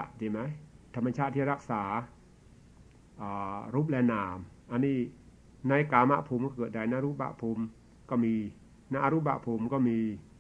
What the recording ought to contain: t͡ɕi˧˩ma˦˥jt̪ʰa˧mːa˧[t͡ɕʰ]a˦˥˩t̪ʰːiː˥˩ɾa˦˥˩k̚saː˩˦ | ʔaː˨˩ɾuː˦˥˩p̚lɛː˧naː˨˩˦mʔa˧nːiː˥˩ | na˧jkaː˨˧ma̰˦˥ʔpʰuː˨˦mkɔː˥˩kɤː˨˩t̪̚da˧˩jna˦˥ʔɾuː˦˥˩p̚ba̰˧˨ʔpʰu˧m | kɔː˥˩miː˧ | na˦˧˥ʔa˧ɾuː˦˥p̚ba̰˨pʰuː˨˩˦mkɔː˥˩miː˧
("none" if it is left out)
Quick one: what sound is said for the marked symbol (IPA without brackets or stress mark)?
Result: t͡ɕʰ